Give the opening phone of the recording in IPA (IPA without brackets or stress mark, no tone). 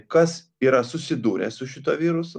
k